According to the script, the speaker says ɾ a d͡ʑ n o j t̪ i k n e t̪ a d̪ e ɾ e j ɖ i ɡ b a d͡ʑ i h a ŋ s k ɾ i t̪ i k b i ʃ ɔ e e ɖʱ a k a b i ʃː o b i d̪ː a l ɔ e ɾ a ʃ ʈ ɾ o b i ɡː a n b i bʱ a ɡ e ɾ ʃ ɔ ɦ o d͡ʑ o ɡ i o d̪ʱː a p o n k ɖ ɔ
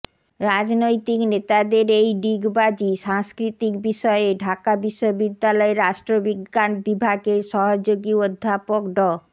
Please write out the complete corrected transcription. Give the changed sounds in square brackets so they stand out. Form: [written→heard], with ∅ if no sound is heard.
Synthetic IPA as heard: ɾ a d͡ʑ n o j t̪ i k n e t̪ a d̪ e ɾ e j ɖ i ɡ b a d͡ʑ i [h→ʃ] a ŋ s k ɾ i t̪ i k b i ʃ ɔ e e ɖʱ a k a b i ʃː o b i d̪ː a l ɔ e ɾ a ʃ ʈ ɾ o b i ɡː a n b i bʱ a ɡ e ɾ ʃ ɔ ɦ o d͡ʑ o ɡ i o d̪ʱː a p o [n→∅] k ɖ ɔ